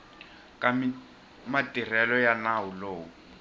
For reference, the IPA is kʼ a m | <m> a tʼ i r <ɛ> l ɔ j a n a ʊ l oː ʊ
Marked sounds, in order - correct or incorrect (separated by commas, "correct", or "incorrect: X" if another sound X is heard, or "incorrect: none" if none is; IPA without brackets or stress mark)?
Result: correct, correct